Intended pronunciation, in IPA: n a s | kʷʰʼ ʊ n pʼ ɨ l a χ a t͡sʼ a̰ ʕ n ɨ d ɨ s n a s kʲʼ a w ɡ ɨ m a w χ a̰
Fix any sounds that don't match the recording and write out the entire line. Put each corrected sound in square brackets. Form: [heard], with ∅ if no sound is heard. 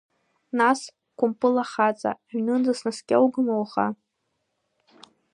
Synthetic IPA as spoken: n a s | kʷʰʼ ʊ [m] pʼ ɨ l a χ a t͡sʼ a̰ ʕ n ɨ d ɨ s n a s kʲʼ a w ɡ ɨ m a w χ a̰